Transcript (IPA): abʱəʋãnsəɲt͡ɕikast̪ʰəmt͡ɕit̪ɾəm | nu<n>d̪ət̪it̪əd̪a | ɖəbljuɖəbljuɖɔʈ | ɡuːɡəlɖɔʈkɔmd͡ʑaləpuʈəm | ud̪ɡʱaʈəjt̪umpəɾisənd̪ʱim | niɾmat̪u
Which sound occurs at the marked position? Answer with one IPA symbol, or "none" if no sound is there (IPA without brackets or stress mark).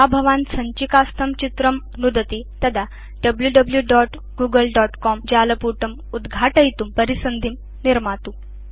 none